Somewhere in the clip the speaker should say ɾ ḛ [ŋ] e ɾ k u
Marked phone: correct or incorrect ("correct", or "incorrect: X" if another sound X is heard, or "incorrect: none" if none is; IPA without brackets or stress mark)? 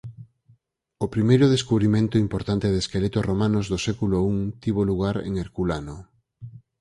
correct